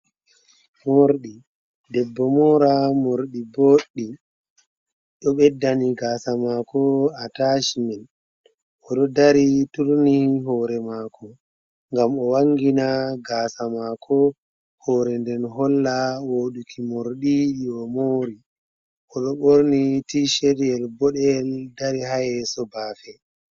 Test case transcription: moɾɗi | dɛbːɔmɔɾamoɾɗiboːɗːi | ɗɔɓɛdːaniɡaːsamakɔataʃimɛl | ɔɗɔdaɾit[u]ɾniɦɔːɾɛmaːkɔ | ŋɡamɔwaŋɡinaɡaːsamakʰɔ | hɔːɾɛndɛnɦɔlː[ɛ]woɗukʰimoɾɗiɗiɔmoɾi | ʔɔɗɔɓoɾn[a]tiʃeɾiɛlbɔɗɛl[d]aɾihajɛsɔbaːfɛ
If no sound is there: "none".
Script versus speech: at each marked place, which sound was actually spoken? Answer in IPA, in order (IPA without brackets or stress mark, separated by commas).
u, a, i, d